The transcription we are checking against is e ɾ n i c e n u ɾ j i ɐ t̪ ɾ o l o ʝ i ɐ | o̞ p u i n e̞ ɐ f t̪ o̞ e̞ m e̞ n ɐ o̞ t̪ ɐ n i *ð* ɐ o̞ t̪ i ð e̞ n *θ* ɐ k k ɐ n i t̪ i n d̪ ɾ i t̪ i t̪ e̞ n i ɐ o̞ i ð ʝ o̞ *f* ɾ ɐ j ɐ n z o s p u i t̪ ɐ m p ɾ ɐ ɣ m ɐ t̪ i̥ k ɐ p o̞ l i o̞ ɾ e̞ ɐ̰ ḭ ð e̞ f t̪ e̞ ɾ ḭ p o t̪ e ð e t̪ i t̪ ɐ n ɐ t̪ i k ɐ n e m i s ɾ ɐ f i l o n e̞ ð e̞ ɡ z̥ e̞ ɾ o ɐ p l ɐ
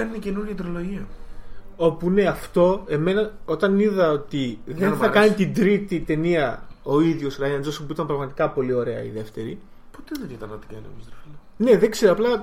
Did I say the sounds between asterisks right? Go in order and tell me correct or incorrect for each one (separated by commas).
correct, correct, incorrect